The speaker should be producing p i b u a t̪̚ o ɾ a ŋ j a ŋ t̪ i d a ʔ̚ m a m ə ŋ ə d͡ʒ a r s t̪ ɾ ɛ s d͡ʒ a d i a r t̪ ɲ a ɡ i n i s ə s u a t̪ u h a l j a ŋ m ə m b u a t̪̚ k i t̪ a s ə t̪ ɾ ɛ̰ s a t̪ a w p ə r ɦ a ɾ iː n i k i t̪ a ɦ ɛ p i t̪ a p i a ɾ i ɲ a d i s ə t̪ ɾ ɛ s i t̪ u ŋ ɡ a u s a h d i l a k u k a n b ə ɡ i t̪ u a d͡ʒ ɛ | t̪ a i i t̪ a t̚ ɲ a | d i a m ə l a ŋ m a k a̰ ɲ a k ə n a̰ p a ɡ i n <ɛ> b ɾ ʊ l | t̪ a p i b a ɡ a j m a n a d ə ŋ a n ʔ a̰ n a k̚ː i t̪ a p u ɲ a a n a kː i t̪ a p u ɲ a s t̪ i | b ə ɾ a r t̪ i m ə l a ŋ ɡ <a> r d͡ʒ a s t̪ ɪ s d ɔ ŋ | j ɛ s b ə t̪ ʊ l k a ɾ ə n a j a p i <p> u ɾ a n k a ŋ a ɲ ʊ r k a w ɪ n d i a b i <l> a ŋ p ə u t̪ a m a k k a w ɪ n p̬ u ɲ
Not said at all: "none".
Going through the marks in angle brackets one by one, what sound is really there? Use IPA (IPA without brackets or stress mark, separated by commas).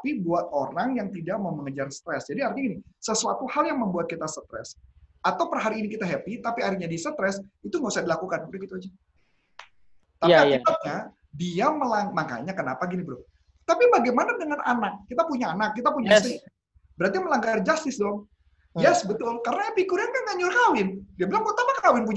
i, a, k, l